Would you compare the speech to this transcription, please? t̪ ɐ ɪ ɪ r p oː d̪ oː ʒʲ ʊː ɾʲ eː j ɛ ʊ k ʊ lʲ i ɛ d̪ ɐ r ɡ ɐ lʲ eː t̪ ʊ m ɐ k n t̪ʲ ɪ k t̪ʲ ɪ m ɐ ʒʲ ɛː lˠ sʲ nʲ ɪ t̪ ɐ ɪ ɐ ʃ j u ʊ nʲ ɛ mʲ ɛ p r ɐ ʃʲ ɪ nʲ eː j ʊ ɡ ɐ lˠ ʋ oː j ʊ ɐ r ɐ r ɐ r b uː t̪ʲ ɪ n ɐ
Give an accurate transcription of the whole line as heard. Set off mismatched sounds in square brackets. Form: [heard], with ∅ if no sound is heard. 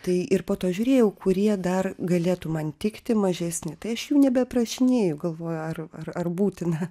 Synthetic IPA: t̪ ɐ ɪ ɪ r p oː [t̪] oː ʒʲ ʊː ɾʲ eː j ɛ ʊ k ʊ [ɾʲ] i ɛ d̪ ɐ r ɡ ɐ lʲ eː t̪ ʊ m ɐ [∅] n t̪ʲ ɪ k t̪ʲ ɪ m ɐ ʒʲ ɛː [∅] sʲ nʲ ɪ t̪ ɐ ɪ ɐ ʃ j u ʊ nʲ ɛ [bʲ] ɛ p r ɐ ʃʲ ɪ nʲ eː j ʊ ɡ ɐ lˠ ʋ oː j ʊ ɐ r ɐ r ɐ r b uː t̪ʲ ɪ n ɐ

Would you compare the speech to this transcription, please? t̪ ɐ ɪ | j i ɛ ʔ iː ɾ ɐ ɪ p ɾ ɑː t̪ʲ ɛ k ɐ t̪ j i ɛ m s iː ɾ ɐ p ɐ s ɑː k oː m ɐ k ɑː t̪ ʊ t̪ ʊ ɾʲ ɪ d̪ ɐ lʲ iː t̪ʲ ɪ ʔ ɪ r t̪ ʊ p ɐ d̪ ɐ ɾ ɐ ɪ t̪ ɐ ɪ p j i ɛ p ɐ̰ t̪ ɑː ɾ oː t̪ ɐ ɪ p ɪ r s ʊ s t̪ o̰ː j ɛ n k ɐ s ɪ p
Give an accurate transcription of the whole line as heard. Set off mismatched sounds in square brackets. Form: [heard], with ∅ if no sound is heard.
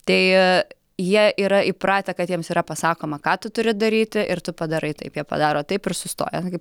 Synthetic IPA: t̪ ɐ ɪ | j i ɛ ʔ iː ɾ ɐ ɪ p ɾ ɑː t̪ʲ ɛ k ɐ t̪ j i ɛ m s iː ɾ ɐ p ɐ s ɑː k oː m ɐ k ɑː t̪ ʊ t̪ ʊ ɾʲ ɪ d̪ ɐ [ɾʲ] iː t̪ʲ ɪ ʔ ɪ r t̪ ʊ p ɐ d̪ ɐ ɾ ɐ ɪ t̪ ɐ ɪ p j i ɛ p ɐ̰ [d̪] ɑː ɾ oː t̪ ɐ ɪ p ɪ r s ʊ s t̪ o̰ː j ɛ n k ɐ [∅] ɪ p

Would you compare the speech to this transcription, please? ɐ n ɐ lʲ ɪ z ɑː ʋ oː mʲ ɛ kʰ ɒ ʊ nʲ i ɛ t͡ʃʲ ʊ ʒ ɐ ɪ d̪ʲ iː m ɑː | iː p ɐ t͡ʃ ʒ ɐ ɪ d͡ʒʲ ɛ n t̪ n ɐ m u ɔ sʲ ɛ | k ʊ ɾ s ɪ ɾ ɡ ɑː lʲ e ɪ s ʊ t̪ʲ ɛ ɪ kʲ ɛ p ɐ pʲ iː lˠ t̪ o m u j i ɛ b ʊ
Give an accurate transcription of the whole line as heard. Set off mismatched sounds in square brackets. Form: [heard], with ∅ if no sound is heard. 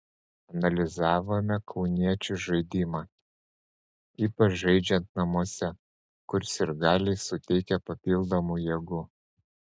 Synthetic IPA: ɐ n ɐ lʲ ɪ z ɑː ʋ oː mʲ ɛ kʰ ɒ ʊ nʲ i ɛ t͡ʃʲ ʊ ʒ ɐ ɪ d̪ʲ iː m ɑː | iː p ɐ t͡ʃ ʒ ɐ ɪ d͡ʒʲ ɛ n t̪ n ɐ m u ɔ sʲ ɛ | k ʊ ɾ s ɪ ɾ ɡ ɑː lʲ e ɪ s ʊ t̪ʲ ɛ ɪ kʲ ɛ p ɐ pʲ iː lˠ [d̪] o m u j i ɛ [ɡ] ʊ

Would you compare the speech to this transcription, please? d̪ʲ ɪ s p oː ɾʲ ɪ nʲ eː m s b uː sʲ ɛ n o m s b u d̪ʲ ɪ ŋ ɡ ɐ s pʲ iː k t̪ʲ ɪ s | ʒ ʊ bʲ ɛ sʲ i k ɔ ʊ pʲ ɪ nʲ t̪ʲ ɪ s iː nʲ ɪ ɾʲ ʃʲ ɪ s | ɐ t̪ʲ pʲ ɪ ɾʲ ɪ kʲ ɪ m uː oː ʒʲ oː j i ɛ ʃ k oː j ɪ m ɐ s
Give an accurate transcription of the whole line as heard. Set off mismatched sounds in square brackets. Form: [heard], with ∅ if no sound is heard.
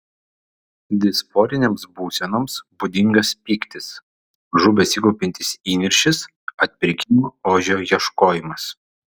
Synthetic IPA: d̪ʲ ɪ s p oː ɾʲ ɪ nʲ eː m s b uː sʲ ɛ n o m s b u d̪ʲ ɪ ŋ ɡ ɐ s pʲ iː k t̪ʲ ɪ s | ʒ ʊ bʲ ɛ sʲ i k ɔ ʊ pʲ ɪ nʲ t̪ʲ ɪ s iː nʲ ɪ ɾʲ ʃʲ ɪ s | ɐ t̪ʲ pʲ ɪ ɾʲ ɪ kʲ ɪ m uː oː ʒʲ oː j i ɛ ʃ k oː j ɪ m ɐ s

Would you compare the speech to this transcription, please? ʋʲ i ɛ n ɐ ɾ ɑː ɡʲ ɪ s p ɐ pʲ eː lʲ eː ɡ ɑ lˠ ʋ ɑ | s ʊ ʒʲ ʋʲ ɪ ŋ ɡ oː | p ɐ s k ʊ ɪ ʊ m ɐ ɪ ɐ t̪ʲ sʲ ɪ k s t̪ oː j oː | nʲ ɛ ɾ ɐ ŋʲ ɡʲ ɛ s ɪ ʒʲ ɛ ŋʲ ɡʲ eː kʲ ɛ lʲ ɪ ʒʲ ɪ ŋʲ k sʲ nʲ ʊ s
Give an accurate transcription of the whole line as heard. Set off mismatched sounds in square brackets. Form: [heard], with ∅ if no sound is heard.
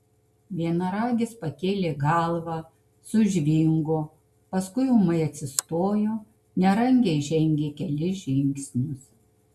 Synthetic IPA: ʋʲ i ɛ n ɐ ɾ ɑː ɡʲ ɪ s p ɐ [kʲ] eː lʲ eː ɡ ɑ lˠ ʋ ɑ | s ʊ ʒʲ ʋʲ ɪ ŋ ɡ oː | p ɐ s k ʊ ɪ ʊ m ɐ ɪ ɐ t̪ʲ sʲ ɪ [∅] s t̪ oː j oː | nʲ ɛ ɾ ɐ ŋʲ ɡʲ ɛ [∅] ɪ ʒʲ ɛ ŋʲ ɡʲ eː kʲ ɛ lʲ ɪ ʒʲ ɪ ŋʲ k sʲ nʲ ʊ s

